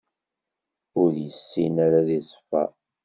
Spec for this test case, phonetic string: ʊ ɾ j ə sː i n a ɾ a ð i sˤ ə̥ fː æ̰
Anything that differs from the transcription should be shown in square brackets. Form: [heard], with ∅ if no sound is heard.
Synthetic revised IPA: ʊ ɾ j ə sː i n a ɾ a ð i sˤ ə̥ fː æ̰